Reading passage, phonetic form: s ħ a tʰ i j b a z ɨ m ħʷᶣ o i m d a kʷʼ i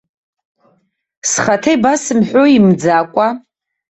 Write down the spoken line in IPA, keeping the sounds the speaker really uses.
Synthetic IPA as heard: s χ a tʰ e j b a s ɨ m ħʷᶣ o i m d͡z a kʷʼ a